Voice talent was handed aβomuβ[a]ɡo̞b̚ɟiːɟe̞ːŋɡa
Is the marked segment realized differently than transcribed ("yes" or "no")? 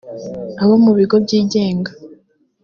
yes